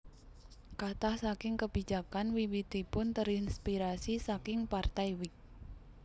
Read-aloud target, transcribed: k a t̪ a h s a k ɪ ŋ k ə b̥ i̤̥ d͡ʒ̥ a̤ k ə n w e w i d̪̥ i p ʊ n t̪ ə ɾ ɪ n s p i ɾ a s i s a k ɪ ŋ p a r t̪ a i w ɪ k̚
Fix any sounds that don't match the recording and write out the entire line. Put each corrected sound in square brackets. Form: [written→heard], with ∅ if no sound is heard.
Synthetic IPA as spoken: k a t̪ a h s a k ɪ ŋ k ə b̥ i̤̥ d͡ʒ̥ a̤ k [ə→a] n w [e→i] w i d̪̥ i p ʊ n t̪ ə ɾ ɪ n s p i ɾ a s i s a k ɪ ŋ p a r t̪ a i w ɪ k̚